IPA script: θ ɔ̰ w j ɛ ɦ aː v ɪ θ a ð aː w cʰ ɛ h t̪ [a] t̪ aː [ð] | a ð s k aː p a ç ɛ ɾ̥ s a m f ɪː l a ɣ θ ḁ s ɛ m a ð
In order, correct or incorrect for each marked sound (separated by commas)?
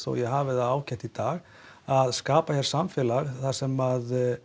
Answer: incorrect, incorrect